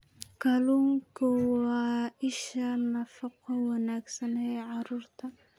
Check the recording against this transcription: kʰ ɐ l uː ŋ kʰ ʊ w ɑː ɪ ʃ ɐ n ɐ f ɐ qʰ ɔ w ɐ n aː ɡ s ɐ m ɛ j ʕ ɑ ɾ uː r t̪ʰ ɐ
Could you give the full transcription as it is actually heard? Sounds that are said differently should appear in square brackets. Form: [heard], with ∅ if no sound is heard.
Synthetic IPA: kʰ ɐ l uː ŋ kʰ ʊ w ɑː ɪ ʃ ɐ n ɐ f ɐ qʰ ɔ w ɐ n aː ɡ s ɐ [n] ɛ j ʕ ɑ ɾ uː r t̪ʰ ɐ